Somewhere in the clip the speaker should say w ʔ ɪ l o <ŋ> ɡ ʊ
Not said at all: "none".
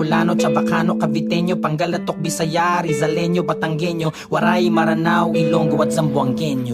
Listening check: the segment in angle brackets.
ŋ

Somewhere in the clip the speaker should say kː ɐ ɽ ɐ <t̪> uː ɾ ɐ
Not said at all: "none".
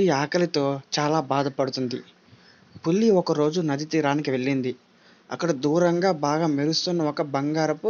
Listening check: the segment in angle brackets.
d̪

